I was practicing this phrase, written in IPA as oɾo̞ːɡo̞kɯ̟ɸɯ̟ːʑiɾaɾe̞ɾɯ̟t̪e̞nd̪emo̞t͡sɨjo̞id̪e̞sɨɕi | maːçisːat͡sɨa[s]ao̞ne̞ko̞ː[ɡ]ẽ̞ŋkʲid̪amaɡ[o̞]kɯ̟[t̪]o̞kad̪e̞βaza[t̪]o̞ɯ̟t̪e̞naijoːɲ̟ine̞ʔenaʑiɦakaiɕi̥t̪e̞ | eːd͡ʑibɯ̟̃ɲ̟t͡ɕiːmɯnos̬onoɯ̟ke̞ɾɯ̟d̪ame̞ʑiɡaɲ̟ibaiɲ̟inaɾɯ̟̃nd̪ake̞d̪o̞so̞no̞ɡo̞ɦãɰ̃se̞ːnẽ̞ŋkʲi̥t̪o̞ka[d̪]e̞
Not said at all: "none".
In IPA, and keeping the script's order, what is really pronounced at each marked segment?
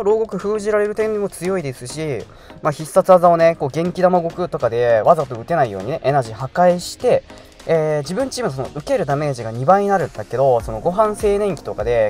z, ɡ, o̞, t̪, t̪, d̪

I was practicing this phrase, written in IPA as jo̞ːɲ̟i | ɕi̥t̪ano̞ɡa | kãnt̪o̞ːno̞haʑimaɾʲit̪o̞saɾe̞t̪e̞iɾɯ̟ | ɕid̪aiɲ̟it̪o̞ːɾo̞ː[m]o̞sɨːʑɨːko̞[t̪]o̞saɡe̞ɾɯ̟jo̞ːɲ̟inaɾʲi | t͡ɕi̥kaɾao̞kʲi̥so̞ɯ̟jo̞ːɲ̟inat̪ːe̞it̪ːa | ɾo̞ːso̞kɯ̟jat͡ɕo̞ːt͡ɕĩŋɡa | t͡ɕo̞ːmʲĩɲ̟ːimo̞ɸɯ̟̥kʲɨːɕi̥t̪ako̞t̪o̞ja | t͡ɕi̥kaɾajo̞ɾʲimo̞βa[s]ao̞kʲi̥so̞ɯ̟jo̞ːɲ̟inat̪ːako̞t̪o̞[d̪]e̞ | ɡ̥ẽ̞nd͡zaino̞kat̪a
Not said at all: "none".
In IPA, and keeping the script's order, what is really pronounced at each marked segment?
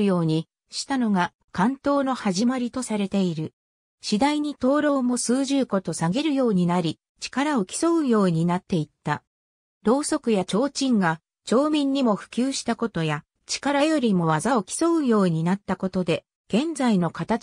m, t̪, z, d̪

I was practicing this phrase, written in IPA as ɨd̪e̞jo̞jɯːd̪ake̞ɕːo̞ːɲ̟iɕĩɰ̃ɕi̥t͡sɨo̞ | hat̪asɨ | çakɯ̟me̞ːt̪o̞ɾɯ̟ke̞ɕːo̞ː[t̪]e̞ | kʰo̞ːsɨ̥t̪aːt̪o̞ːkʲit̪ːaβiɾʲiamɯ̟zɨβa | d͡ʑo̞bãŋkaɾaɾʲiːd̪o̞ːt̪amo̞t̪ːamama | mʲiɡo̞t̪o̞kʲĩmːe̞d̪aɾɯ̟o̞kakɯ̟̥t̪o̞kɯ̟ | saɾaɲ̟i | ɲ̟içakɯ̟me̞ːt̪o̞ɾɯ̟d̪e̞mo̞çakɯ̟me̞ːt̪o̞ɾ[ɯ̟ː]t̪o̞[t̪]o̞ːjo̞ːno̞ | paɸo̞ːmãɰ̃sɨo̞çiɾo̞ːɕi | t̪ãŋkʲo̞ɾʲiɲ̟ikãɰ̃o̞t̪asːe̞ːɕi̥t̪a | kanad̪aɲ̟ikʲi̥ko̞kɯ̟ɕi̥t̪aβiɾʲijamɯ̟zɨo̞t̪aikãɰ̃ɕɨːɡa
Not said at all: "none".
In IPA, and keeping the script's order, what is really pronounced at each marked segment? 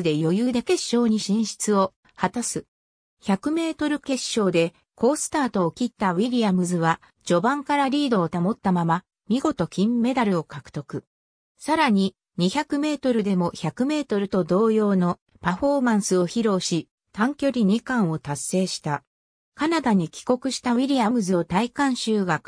d̪, ɯ̟, d̪

